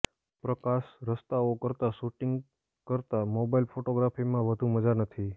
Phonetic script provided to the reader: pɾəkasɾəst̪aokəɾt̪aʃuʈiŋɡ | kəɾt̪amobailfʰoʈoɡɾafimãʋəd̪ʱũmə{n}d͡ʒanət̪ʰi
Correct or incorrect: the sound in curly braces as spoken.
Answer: incorrect: none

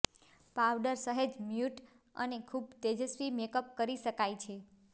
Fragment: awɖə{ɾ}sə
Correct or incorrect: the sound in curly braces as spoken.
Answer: correct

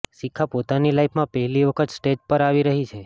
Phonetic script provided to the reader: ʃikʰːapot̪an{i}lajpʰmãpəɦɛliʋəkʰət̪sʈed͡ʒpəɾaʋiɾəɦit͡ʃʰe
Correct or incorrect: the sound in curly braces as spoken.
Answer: correct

